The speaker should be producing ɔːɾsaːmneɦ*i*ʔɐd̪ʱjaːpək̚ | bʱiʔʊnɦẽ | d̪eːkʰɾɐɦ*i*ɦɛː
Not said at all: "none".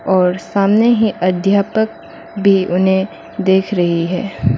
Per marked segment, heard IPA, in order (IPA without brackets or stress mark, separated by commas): i, i